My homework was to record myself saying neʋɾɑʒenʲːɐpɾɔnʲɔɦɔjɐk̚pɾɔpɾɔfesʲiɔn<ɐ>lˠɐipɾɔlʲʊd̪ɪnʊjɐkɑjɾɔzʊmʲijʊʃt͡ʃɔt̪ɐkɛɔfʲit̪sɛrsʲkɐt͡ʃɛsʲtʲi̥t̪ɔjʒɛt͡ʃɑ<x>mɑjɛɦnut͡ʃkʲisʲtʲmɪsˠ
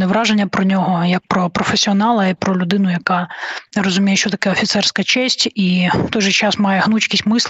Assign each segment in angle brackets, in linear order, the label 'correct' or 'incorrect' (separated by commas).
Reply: incorrect, incorrect